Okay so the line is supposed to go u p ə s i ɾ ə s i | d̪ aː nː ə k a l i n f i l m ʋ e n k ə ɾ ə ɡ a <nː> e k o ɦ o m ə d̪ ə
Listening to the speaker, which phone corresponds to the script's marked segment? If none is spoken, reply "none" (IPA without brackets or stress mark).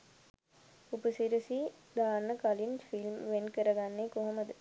nː